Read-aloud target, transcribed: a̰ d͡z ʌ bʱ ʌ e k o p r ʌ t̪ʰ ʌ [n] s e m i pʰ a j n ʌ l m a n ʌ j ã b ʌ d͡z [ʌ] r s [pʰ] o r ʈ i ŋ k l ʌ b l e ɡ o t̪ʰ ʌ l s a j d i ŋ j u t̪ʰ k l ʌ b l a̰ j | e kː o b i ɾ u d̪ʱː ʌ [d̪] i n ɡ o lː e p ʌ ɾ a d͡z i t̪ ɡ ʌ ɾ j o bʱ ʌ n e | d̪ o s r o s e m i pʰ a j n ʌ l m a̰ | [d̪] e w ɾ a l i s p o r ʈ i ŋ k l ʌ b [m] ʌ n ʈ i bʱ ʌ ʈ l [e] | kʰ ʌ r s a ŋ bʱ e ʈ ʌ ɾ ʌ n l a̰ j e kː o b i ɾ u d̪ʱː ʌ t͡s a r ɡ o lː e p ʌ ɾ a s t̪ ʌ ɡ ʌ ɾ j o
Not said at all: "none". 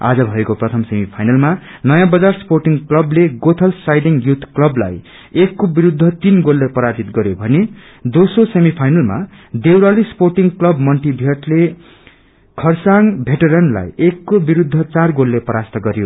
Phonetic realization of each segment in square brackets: m, a, p, t̪, d̪, m, e

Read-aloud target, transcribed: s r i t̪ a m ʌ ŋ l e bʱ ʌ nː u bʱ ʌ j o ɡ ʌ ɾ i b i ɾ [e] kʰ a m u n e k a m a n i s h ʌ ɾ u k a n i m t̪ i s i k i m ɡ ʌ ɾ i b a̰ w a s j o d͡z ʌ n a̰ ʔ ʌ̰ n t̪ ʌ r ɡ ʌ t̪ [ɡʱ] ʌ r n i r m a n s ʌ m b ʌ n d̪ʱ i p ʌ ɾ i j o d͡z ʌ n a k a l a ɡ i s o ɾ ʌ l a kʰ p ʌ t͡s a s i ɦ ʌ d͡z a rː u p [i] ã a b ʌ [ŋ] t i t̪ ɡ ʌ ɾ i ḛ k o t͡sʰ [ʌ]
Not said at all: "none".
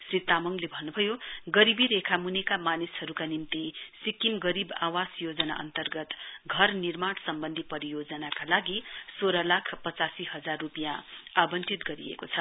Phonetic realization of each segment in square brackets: e, ɡʱ, j, n, ʌ

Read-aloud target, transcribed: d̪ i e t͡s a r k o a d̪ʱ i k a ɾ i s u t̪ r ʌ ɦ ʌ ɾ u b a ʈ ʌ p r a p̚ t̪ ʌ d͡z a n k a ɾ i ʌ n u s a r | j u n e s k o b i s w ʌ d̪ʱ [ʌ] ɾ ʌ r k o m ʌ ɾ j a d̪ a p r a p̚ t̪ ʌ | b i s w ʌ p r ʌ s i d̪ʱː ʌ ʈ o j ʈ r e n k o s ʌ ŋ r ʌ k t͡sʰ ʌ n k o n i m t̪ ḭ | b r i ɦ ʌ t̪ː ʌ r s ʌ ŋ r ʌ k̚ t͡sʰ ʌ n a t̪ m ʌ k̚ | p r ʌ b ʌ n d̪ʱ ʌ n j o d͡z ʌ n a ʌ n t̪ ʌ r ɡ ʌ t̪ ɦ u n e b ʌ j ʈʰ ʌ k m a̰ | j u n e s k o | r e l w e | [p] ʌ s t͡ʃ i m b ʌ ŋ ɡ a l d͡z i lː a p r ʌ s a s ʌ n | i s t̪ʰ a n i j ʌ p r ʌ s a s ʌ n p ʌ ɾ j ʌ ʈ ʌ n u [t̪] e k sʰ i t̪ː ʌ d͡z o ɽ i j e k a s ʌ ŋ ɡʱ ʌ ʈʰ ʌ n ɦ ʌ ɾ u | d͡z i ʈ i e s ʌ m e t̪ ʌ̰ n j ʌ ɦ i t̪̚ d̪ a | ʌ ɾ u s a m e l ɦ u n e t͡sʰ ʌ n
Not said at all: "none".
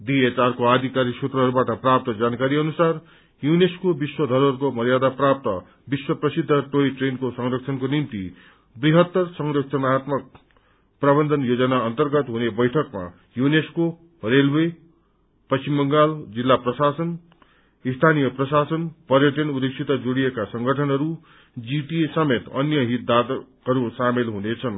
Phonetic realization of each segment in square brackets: ʌ, p, d̪

